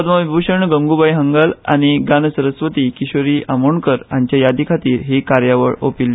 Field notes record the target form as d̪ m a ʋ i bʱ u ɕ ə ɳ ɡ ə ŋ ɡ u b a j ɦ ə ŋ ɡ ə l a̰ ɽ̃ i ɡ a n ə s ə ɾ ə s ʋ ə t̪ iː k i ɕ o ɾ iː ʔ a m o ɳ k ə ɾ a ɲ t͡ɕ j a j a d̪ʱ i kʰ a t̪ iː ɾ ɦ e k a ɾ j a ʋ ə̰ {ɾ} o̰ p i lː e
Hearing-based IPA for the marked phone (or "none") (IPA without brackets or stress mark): ɭ